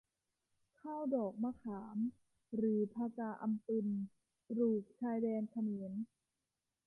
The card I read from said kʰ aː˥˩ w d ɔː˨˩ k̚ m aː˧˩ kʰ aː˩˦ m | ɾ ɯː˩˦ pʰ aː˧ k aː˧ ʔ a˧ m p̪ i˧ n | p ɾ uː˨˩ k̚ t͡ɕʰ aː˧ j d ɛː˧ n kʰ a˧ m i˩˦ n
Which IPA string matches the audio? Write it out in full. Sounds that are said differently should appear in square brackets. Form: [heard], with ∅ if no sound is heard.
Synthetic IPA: kʰ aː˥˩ w d ɔː˨˩ k̚ m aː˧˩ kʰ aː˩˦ m | ɾ ɯː˩˦ pʰ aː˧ k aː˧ ʔ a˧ m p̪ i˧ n | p ɾ uː˨˩ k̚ t͡ɕʰ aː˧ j d ɛː˧ n kʰ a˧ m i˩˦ n